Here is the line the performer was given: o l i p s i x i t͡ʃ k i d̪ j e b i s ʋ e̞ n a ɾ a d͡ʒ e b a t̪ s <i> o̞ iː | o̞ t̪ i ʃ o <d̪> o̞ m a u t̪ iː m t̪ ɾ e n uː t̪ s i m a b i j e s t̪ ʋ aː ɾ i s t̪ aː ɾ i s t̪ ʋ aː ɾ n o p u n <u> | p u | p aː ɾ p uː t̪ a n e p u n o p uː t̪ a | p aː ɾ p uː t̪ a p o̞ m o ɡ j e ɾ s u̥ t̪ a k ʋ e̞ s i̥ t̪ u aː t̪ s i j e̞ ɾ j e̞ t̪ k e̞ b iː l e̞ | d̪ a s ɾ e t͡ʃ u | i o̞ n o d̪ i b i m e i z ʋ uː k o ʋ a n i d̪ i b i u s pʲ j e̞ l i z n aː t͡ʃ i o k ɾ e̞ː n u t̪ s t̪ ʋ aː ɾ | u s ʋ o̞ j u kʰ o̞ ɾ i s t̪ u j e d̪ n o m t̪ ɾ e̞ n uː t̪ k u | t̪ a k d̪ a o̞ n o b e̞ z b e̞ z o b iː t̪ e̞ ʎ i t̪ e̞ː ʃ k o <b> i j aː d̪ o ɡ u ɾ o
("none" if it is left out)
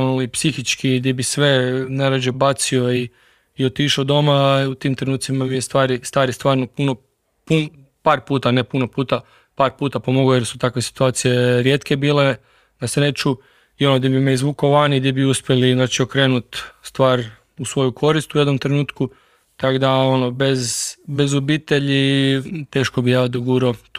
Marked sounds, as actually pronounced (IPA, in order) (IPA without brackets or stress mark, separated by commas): i, d̪, o, b